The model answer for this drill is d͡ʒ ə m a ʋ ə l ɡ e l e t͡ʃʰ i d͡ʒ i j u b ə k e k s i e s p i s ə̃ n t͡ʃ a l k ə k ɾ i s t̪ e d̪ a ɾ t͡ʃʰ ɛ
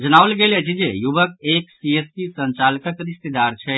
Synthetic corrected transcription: d͡ʒ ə n a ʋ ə l ɡ e l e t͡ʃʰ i d͡ʒ e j u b ə k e k s i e s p i s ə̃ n t͡ʃ a l k ə k ɾ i s t̪ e d̪ a ɾ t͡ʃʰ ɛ